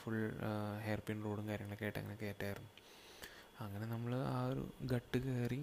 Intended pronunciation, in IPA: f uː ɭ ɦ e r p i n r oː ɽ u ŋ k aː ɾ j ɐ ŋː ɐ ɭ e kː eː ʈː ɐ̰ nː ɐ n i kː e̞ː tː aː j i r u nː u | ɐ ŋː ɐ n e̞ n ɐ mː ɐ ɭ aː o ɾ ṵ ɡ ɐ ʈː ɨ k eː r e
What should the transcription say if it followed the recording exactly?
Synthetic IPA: f u ɭ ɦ e r p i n r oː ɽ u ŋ k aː ɾ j ɐ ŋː ɐ ɭ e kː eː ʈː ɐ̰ ŋː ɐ n e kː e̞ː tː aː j i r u nː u | ɐ ŋː ɐ n e̞ n ɐ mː ɐ ɭ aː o ɾ ṵ ɡ ɐ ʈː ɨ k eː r i